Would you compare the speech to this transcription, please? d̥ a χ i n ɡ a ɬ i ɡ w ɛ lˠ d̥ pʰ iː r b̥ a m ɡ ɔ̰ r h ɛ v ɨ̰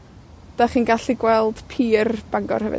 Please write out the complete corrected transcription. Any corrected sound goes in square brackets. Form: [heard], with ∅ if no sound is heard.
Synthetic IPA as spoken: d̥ a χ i n ɡ a ɬ i ɡ w ɛ lˠ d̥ pʰ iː r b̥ a [ŋ] ɡ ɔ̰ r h ɛ v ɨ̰

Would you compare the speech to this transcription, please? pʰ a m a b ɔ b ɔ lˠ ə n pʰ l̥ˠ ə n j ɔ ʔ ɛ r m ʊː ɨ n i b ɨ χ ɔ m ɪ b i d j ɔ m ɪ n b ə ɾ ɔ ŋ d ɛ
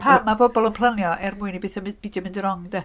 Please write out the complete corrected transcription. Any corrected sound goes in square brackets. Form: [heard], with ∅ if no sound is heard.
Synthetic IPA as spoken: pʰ a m a b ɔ b ɔ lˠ ə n pʰ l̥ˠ ə n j ɔ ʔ ɛ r m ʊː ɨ n i b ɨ [θ] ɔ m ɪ b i d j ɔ m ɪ n [d] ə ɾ ɔ ŋ d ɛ

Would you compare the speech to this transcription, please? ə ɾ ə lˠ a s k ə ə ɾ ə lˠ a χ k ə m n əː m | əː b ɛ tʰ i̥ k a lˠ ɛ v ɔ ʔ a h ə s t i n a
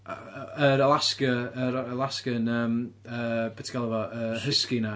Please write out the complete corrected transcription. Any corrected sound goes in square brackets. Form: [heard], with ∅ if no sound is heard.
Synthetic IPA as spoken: ə ɾ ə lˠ a s k ə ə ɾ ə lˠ a [s] k ə [∅] n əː m | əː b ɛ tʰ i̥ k a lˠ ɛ v ɔ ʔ [ə] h ə s [k] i n a

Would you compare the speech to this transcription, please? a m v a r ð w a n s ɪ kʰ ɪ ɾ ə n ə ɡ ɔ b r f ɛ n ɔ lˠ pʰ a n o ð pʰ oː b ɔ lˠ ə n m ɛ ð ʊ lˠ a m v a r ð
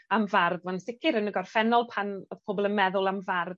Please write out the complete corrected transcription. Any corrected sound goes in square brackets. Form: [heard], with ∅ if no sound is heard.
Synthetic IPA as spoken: a m v a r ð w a n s ɪ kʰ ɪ ɾ ə n ə ɡ ɔ [∅] r f ɛ n ɔ lˠ pʰ a n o ð pʰ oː b ɔ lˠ ə n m ɛ ð ʊ lˠ a m v a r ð

